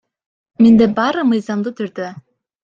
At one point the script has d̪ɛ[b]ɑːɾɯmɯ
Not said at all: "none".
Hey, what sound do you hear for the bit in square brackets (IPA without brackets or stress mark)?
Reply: b